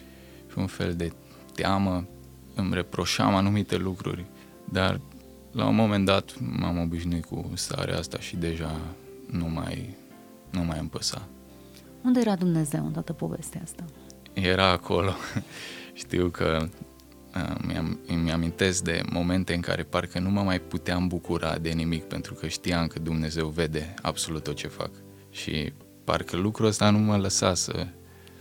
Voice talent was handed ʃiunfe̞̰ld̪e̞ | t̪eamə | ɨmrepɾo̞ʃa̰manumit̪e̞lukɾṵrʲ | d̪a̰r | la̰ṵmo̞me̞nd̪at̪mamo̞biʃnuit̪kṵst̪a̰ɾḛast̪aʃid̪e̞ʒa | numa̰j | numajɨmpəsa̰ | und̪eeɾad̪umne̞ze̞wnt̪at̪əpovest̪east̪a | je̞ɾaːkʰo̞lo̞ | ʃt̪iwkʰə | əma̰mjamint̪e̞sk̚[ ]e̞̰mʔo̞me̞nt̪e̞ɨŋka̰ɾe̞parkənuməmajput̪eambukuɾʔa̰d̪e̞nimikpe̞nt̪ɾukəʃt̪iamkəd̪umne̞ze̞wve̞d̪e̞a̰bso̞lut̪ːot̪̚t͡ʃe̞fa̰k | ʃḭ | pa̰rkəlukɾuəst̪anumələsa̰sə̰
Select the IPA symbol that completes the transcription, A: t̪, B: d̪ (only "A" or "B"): B